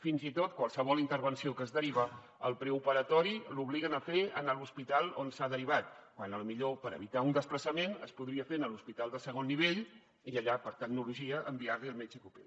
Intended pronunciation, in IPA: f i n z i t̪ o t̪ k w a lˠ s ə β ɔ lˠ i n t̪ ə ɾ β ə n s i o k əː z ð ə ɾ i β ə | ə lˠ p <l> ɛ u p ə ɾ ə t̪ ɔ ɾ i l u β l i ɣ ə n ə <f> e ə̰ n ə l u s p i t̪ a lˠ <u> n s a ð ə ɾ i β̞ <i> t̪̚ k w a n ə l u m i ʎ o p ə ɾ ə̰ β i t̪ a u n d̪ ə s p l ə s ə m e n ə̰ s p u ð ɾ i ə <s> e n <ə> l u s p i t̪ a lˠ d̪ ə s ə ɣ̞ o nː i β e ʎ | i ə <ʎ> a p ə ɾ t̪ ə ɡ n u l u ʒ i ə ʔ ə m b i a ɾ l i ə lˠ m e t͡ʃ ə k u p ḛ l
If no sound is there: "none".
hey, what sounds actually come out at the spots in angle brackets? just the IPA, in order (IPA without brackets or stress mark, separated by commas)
ɾ, f, o, a, f, ə, ʎ